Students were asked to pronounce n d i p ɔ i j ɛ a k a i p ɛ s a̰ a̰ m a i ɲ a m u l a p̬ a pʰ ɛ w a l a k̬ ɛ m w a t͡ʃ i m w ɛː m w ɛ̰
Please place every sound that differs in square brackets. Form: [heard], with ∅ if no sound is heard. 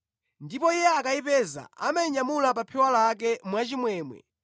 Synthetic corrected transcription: n d i p ɔ i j ɛ a k a i p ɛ [z] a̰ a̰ m a i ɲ a m u l a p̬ a pʰ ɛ w a l a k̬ ɛ m w a t͡ʃ i m w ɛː m w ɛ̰